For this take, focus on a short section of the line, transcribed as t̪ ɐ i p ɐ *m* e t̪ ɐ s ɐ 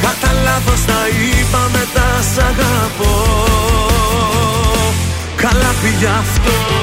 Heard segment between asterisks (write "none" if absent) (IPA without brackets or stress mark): m